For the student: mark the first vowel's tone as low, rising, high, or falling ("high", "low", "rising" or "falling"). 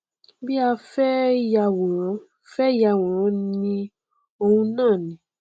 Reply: high